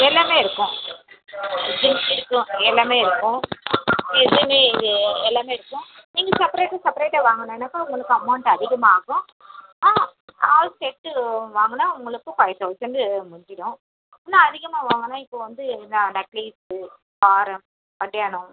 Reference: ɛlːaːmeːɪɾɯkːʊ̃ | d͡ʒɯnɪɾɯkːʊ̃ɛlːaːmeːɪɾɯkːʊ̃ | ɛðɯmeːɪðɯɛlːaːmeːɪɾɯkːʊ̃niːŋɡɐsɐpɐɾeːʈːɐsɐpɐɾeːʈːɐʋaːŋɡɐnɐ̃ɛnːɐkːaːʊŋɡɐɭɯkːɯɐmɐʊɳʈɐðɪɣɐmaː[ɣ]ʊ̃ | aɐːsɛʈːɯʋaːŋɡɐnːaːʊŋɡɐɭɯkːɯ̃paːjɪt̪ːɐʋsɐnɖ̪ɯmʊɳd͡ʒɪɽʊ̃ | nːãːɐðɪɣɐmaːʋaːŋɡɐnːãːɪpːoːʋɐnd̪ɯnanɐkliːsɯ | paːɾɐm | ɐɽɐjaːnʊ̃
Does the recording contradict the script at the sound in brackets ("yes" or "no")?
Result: no